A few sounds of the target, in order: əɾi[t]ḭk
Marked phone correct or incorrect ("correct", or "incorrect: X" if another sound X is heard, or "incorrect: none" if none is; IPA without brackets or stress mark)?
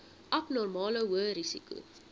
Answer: incorrect: s